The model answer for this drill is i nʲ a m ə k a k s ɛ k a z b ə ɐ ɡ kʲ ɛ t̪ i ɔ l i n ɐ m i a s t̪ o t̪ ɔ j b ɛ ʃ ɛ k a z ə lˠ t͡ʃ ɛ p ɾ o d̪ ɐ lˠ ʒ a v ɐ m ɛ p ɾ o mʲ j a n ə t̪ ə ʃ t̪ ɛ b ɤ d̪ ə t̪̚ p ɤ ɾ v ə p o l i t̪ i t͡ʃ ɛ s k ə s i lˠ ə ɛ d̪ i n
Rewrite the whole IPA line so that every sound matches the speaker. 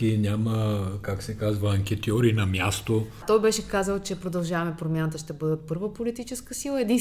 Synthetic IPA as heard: i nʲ a m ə k a k s ɛ k a z v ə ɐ ŋ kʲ ɛ t̪ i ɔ ɾ i n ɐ m j a s t̪ o t̪ ɔ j b ɛ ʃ ɛ k a z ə lˠ t͡ʃ ɛ p ɾ o d̪ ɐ lˠ ʒ a v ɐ m ɛ p ɾ o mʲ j a n ə t̪ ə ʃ t̪ ɛ b ɤ d̪ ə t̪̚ p ɤ ɾ v ə p o l i t̪ i t͡ʃ ɛ s k ə s i lˠ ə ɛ d̪ i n